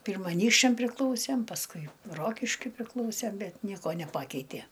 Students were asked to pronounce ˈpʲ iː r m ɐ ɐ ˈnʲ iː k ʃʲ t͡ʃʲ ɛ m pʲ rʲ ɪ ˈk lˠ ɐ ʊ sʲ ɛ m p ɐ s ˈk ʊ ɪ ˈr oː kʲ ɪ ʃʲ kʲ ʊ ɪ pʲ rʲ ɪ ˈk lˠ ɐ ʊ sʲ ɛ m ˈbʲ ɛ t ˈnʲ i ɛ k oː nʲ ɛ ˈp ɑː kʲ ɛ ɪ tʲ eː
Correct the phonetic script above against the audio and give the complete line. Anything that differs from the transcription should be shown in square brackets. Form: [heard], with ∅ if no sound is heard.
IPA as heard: ˈpʲ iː r m ɐ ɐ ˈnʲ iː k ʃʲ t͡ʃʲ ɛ m pʲ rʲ ɪ ˈk lˠ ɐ ʊ sʲ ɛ m p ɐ s ˈk ʊ ɪ ˈr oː kʲ ɪ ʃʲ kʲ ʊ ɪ pʲ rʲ ɪ ˈk lˠ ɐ ʊ sʲ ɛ m ˈbʲ ɛ t ˈnʲ i ɛ k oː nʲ ɛ ˈp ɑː kʲ ɛ ɪ tʲ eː